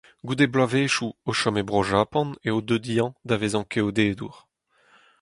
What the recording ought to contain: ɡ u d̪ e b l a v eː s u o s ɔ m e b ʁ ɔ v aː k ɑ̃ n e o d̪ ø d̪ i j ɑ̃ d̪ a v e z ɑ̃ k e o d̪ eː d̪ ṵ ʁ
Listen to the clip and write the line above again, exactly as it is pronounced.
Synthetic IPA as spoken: ɡ u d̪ e b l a v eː ʃ u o ʃ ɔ m e b ʁ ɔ ʒ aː p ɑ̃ n e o d̪ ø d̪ i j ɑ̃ d̪ a v e z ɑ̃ k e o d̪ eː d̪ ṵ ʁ